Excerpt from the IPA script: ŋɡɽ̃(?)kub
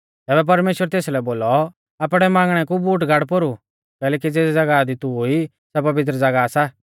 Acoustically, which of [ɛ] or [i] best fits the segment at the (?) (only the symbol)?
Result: ɛ